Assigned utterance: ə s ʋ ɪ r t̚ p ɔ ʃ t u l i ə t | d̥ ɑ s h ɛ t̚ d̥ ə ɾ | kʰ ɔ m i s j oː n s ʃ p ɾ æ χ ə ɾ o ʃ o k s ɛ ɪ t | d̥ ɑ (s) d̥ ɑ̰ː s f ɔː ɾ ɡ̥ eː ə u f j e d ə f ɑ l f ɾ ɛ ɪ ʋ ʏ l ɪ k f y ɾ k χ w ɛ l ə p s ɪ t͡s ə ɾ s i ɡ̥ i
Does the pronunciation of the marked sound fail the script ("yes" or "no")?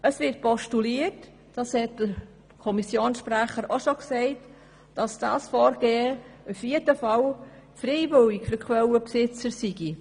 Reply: no